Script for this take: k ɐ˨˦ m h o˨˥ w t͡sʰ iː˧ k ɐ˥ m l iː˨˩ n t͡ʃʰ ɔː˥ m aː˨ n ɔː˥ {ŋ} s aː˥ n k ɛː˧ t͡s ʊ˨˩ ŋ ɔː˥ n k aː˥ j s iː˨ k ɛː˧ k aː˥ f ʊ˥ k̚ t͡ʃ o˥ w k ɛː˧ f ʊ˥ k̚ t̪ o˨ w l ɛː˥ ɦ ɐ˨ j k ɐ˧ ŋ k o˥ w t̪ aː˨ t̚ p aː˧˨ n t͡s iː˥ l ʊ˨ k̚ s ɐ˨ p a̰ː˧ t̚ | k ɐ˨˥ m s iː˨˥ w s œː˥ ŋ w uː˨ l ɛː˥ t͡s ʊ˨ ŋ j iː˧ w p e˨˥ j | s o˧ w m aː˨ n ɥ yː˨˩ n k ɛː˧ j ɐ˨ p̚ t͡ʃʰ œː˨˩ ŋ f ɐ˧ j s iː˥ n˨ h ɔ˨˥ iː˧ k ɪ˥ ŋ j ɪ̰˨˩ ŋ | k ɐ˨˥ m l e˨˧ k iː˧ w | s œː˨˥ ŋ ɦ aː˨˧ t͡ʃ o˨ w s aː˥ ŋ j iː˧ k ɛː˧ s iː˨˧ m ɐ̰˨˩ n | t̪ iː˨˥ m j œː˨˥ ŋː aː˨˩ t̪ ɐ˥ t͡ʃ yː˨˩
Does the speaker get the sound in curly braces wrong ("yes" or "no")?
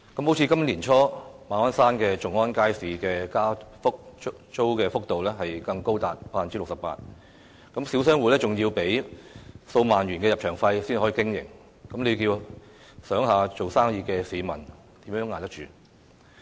yes